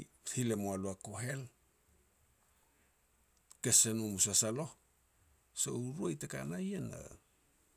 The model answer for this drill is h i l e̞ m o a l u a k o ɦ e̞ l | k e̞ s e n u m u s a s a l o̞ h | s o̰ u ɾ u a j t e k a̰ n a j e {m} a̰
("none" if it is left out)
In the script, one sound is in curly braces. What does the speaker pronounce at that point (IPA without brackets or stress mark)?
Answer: n